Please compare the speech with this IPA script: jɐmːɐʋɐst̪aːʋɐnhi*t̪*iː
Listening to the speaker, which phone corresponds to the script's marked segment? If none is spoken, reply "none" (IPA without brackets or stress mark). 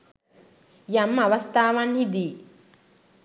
d̪